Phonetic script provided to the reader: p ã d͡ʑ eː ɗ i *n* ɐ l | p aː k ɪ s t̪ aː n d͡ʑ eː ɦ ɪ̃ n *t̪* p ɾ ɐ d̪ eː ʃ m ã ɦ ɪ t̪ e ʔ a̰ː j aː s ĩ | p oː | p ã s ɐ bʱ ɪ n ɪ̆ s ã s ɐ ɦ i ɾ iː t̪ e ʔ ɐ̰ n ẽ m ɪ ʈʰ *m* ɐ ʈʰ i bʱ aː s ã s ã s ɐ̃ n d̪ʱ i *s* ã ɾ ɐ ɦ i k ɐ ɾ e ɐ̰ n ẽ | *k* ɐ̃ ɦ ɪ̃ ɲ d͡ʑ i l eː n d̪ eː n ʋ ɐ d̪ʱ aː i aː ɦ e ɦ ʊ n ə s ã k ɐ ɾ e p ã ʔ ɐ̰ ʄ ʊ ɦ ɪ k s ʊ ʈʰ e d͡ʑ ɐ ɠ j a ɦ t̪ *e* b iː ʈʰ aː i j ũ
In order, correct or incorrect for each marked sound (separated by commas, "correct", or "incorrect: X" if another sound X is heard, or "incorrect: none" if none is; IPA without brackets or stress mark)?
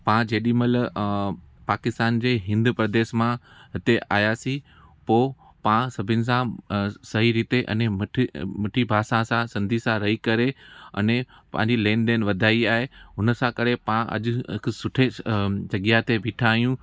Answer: incorrect: m, incorrect: d̪, correct, correct, incorrect: p, correct